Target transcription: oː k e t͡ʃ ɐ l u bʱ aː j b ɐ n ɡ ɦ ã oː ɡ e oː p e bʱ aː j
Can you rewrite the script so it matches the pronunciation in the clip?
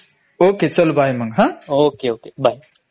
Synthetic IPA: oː k e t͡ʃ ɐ l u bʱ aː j m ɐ ŋ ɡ ɦ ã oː k e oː k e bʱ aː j